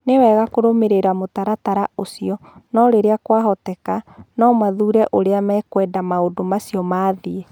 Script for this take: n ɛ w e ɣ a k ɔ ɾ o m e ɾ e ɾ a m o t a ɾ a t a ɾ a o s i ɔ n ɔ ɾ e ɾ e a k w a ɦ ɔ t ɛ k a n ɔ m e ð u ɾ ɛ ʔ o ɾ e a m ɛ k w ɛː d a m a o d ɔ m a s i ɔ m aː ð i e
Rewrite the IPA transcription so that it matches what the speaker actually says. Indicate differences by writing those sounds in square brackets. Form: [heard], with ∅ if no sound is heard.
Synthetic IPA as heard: n [e] w [ɛ] ɣ a k [o] ɾ o m e ɾ e ɾ a m o t a ɾ a t a ɾ a o s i ɔ n ɔ ɾ e ɾ e a k w a ɦ ɔ t ɛ k a n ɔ m [a] ð u ɾ ɛ ʔ o ɾ e a m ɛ k w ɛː d a m a o d [o] m a s i ɔ m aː ð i e

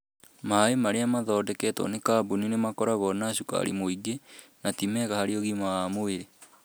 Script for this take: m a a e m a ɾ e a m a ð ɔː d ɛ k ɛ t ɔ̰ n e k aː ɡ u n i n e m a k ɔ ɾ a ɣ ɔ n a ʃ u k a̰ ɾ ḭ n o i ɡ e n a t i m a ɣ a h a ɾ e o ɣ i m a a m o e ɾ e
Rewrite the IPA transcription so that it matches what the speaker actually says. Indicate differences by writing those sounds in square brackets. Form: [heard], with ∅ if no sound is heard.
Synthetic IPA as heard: m a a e m a ɾ e a m a ð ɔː d ɛ k ɛ t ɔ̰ n e k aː [b] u n i n e m a k ɔ ɾ a ɣ ɔ n a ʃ u k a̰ ɾ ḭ [m] o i ɡ e n a t i m [ɛ] ɣ a h a ɾ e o ɣ i m a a m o e ɾ e

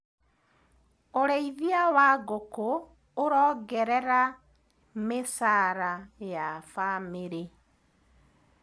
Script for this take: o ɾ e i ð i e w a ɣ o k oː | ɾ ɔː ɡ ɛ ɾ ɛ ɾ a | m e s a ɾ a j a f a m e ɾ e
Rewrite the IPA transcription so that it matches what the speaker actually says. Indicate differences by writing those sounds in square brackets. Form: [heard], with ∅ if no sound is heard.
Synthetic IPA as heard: o ɾ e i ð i [a] w a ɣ o k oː | ɾ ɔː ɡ ɛ ɾ ɛ ɾ a | m e s a ɾ a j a f a m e ɾ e

